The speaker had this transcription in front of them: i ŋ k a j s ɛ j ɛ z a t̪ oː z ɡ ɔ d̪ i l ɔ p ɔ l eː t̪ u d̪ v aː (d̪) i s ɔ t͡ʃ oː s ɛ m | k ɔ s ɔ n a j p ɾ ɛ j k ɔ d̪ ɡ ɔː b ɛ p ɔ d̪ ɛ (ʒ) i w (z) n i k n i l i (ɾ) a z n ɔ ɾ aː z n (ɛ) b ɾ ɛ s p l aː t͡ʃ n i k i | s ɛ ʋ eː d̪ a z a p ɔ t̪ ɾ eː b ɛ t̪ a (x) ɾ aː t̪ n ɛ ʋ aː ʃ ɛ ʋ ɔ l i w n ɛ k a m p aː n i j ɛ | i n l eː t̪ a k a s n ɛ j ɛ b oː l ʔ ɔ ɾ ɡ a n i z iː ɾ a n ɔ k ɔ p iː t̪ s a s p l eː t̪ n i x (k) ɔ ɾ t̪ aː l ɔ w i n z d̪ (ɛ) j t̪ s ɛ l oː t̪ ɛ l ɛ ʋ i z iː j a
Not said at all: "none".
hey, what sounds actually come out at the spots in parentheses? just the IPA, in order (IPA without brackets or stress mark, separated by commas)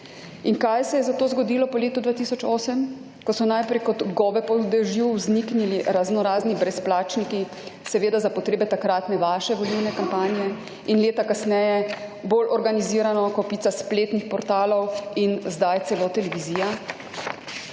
t̪, ʒ, z, ɾ, i, k, p, a